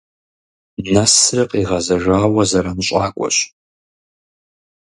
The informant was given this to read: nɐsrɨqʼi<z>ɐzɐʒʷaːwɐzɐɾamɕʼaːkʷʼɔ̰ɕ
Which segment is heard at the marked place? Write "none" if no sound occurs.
ʁ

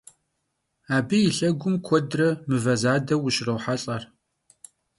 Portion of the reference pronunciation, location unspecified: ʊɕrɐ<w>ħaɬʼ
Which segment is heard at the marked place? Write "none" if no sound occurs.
w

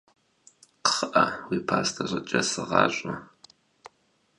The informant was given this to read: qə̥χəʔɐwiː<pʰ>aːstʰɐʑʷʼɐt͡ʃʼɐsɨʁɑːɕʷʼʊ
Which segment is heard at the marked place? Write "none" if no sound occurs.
pʰ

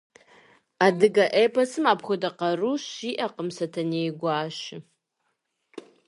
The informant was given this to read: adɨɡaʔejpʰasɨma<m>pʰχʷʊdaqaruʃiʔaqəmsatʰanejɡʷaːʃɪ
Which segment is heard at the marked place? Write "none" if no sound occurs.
none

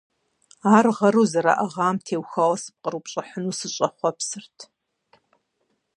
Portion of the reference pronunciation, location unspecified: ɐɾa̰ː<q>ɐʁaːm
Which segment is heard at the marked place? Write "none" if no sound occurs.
ʔ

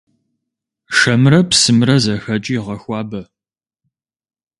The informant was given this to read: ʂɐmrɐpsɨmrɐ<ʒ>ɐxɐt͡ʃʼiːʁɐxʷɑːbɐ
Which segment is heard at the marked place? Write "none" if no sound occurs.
z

